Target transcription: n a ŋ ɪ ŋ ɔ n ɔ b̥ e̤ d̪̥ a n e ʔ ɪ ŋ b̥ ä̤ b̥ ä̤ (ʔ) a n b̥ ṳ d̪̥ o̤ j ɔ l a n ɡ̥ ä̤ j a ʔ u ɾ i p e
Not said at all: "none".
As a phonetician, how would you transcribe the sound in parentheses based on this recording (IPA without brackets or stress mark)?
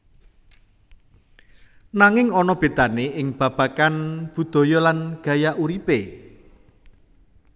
k